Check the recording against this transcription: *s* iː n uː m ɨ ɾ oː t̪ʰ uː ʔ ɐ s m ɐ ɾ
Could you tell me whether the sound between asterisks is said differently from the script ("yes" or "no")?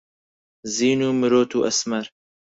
yes